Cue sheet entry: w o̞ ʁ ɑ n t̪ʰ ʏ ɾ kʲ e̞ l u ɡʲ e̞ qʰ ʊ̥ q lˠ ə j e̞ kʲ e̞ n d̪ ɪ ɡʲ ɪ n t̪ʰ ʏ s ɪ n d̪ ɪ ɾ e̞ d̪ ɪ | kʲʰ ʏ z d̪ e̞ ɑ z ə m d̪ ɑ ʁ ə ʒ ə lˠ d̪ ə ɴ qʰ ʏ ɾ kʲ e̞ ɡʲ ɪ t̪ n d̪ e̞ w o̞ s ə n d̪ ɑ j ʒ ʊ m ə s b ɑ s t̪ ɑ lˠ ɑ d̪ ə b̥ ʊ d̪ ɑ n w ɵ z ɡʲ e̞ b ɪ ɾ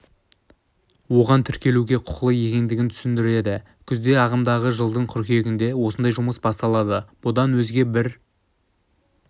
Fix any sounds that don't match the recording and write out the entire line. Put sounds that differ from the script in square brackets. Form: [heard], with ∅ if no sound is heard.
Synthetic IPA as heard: w o̞ ʁ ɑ n t̪ʰ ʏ ɾ kʲ e̞ l u ɡʲ e̞ qʰ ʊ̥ q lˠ ə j e̞ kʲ e̞ n d̪ ɪ ɡʲ ɪ n t̪ʰ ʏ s ɪ n d̪ ɪ ɾ e̞ d̪ ɪ | kʲʰ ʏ z d̪ e̞ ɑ [ʁ] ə m d̪ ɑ ʁ ə ʒ ə lˠ d̪ ə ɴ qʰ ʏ ɾ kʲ e̞ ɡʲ ɪ [∅] n d̪ e̞ w o̞ s ə n d̪ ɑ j ʒ ʊ m ə s b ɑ s t̪ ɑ lˠ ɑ d̪ ə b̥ ʊ d̪ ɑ n w ɵ z ɡʲ e̞ b ɪ ɾ